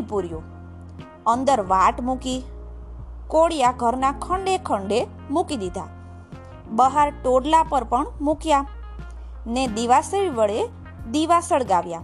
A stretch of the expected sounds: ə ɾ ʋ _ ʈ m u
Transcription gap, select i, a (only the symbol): a